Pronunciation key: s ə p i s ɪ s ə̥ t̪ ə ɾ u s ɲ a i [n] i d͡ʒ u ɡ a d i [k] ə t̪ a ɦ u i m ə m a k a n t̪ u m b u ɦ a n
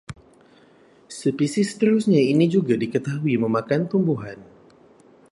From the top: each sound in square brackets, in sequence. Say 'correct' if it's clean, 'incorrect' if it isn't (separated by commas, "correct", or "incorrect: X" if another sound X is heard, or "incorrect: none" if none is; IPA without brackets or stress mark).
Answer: correct, correct